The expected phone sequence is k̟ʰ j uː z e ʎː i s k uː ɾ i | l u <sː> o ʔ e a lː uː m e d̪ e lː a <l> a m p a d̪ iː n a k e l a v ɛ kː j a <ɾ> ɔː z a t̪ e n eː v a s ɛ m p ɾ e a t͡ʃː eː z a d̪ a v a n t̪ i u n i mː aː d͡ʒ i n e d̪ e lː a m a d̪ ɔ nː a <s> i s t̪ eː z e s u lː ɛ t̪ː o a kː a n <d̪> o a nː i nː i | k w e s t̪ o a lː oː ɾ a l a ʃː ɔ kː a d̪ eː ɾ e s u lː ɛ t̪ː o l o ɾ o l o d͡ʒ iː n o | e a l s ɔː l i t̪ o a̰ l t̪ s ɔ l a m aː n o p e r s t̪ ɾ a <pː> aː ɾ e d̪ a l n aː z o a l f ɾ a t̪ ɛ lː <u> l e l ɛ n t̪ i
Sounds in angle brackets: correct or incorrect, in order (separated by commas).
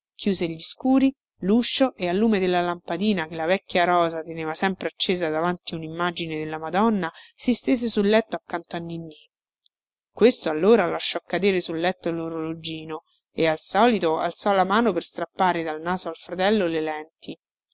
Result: incorrect, correct, correct, correct, incorrect, correct, incorrect